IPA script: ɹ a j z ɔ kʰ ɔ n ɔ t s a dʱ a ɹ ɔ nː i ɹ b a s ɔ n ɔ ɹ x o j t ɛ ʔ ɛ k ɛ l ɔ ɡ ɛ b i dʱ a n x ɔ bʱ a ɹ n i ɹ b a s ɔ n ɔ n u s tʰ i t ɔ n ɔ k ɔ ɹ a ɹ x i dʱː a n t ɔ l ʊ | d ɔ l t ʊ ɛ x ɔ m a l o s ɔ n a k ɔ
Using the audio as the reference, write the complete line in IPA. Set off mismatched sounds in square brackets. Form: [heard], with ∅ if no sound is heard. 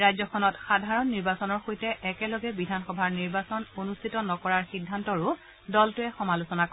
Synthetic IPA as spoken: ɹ a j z ɔ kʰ ɔ n ɔ t [x] a dʱ a ɹ ɔ nː i ɹ b a s ɔ n ɔ ɹ x o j t ɛ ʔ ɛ k ɛ l ɔ ɡ ɛ b i dʱ a n x ɔ bʱ a ɹ n i ɹ b a s ɔ n [o] n u s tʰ i t ɔ n ɔ k ɔ ɹ a ɹ x i dʱː a n t ɔ [ɹ] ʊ | d ɔ l t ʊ ɛ x ɔ m a l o s ɔ n a k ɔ